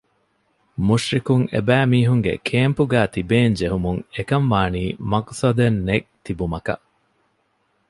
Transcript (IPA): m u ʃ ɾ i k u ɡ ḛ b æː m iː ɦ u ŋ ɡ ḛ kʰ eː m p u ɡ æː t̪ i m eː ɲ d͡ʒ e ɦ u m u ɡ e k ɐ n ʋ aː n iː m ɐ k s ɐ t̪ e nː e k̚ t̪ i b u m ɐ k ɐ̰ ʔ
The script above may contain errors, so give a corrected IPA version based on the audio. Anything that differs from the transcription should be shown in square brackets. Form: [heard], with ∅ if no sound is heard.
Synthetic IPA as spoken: m u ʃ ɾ i k u [ŋ] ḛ b æː m iː ɦ u ŋ ɡ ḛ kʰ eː m p u ɡ æː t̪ i [b] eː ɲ d͡ʒ e ɦ u m u [ŋ] e k ɐ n ʋ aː n iː m ɐ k s ɐ [d̪] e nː e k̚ t̪ i b u m ɐ k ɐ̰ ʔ